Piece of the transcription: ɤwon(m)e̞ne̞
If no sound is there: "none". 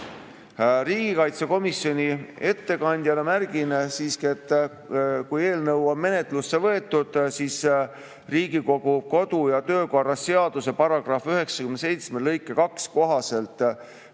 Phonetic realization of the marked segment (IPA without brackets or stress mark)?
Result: m